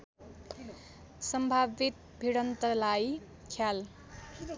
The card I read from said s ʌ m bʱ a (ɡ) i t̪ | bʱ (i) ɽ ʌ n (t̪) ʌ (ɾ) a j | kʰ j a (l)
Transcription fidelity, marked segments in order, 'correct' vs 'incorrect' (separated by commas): incorrect, correct, correct, incorrect, correct